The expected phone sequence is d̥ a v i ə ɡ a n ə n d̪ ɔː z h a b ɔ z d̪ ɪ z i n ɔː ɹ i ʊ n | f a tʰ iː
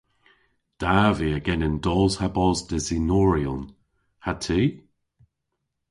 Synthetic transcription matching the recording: d̥ a v i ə ɡ ɛ n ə n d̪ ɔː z h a b ɔ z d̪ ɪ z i n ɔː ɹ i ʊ n | h a tʰ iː